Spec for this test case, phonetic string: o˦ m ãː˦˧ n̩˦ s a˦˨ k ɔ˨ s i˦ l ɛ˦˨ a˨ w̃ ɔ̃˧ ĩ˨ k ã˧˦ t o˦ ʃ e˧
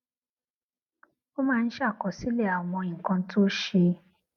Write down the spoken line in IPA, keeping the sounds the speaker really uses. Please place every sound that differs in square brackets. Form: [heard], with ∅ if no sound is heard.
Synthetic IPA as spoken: o˦ m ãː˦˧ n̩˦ [ʃ] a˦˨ k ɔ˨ s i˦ l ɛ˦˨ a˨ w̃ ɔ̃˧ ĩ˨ k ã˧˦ t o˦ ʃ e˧